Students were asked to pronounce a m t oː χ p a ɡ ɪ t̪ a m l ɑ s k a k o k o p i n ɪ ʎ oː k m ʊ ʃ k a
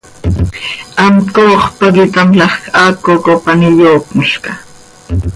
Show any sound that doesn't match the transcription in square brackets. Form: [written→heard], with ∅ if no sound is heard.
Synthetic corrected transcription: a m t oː χ p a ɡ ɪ t̪ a m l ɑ [s→χ] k a k o k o p [i→a] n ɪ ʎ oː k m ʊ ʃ k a